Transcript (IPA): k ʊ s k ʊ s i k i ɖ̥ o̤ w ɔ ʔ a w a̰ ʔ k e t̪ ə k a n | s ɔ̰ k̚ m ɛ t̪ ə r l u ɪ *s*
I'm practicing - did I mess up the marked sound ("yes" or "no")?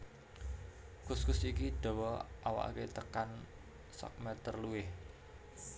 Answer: yes